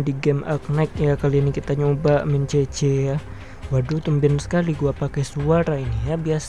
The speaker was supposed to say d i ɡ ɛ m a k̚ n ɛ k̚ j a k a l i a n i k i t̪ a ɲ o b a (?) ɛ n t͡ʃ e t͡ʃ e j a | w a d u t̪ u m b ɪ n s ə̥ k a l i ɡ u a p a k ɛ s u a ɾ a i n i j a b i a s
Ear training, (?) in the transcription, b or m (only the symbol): m